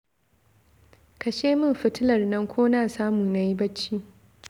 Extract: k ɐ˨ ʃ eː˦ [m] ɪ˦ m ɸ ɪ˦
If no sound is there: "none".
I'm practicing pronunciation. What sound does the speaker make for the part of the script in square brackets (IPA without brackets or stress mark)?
m